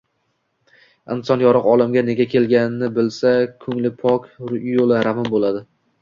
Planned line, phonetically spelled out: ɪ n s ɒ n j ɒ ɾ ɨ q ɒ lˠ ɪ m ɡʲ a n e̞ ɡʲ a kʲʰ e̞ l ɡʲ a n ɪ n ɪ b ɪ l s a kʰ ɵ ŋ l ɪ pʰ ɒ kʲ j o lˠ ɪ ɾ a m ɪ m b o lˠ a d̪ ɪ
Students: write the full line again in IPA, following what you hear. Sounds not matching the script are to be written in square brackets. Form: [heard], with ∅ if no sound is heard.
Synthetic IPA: ɪ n s ɒ n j ɒ ɾ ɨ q ɒ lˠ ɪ m ɡʲ a n e̞ ɡʲ a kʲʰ e̞ l ɡʲ a n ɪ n ɪ b ɪ l s a kʰ ɵ ŋ l ɪ pʰ ɒ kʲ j o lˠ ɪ ɾ a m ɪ m b o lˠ a d̪ ɪ